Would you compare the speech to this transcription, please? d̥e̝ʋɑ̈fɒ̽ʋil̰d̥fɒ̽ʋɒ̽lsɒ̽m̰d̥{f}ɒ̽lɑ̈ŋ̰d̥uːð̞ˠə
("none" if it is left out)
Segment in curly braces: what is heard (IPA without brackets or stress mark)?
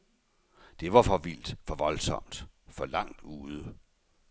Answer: f